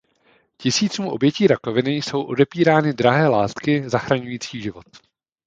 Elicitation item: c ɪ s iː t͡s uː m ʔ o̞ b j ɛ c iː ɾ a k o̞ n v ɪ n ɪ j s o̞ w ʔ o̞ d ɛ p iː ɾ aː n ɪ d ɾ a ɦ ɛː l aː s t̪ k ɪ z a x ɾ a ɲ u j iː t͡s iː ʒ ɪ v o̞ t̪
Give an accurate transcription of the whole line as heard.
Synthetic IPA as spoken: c ɪ s iː t͡s uː m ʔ o̞ b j ɛ c iː ɾ a k o̞ v ɪ n ɪ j s o̞ w ʔ o̞ d ɛ p iː ɾ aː n ɪ d ɾ a ɦ ɛː l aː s t̪ k ɪ z a x ɾ a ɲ u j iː t͡s iː ʒ ɪ v o̞ t̪